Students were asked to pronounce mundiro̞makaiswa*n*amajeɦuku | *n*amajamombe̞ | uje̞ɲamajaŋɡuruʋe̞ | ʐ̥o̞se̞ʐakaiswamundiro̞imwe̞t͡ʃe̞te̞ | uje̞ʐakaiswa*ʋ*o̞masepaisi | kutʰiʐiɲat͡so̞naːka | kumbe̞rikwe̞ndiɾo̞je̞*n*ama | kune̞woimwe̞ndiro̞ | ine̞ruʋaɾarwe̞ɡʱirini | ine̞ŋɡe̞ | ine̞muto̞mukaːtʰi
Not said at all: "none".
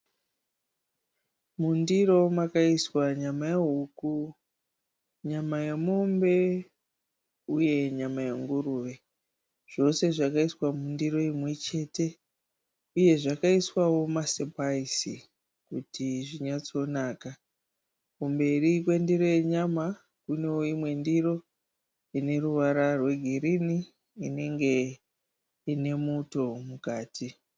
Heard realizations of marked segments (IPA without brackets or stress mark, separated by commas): ɲ, ɲ, w, ɲ